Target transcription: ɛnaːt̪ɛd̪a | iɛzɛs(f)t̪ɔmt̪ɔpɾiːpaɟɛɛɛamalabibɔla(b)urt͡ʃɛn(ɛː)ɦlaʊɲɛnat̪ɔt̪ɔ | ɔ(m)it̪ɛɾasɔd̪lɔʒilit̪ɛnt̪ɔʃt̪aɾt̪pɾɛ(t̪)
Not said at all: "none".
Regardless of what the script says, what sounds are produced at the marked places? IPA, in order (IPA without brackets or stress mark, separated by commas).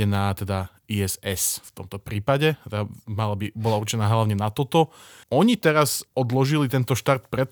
f, none, aː, ɲ, t̪